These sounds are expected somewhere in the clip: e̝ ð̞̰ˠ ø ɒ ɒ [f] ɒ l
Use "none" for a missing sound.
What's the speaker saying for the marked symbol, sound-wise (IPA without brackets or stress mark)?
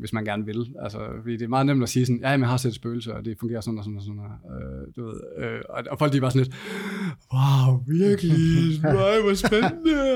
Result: f